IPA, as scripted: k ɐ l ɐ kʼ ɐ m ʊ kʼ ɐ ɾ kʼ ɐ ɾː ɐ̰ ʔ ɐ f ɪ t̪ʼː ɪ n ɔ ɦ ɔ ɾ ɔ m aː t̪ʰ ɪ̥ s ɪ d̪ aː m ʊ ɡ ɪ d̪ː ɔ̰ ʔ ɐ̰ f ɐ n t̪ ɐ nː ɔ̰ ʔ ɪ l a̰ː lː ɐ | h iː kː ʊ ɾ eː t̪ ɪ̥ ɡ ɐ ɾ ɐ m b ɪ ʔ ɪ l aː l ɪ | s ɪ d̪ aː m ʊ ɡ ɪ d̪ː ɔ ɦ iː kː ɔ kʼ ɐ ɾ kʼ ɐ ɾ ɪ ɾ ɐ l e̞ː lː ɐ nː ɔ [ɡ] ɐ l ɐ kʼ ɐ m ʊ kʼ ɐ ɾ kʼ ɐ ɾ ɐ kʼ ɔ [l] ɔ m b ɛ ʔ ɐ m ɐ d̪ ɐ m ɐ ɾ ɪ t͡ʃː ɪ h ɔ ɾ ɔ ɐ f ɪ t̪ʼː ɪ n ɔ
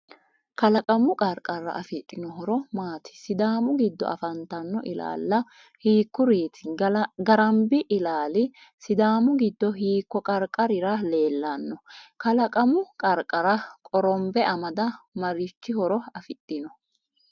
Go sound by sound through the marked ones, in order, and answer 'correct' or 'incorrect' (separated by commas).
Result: incorrect, incorrect